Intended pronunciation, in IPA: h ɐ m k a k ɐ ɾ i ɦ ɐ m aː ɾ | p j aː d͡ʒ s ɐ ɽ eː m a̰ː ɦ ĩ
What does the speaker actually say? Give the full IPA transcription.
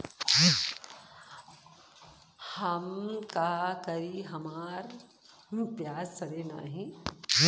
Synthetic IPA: h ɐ m k a k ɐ ɾ i ɦ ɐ m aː ɾ | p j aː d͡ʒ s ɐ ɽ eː n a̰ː ɦ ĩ